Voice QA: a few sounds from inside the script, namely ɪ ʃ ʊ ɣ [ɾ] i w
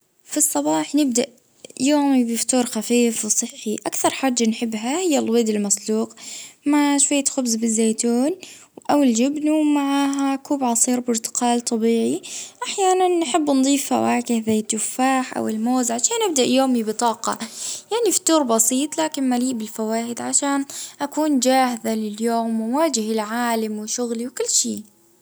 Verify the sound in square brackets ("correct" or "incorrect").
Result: incorrect